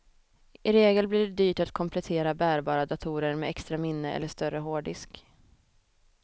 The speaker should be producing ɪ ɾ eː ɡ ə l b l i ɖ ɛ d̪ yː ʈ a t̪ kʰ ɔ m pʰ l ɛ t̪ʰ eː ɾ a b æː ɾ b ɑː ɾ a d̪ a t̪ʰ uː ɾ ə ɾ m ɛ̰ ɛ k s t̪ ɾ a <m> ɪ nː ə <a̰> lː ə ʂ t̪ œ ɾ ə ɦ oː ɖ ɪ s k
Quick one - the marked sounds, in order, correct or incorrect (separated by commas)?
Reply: correct, incorrect